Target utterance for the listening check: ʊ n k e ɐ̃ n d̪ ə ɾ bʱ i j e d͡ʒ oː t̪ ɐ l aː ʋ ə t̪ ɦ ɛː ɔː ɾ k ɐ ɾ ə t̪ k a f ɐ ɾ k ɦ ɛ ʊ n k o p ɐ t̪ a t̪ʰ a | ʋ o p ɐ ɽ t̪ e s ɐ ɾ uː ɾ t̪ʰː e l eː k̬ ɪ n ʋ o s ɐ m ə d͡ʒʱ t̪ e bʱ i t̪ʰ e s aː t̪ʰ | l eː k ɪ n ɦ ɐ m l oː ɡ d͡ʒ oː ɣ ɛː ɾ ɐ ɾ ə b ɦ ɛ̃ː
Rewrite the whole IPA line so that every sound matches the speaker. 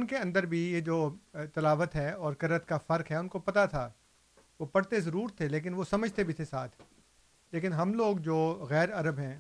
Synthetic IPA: ʊ n k e ɐ̃ n d̪ ə ɾ bʱ i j e d͡ʒ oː t̪ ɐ l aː ʋ ə t̪ ɦ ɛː ɔː ɾ k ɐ ɾ ə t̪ k a f ɐ ɾ k ɦ ɛ ʊ n k o p ɐ t̪ a t̪ʰ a | ʋ o p ɐ ɽ t̪ e z ɐ ɾ uː ɾ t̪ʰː e l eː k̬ ɪ n ʋ o s ɐ m ə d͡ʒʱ t̪ e bʱ i t̪ʰ e s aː t̪ʰ | l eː k ɪ n ɦ ɐ m l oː ɡ d͡ʒ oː ɣ ɛː ɾ ɐ ɾ ə b ɦ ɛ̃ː